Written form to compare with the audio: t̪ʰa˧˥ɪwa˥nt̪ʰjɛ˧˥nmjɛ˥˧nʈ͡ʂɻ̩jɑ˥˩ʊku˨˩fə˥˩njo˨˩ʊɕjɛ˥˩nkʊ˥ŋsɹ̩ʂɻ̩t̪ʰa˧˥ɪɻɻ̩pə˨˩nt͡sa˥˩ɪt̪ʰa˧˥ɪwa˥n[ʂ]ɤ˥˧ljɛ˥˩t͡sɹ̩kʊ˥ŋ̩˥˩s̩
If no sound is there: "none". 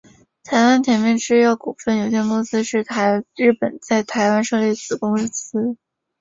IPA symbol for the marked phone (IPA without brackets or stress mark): ʂ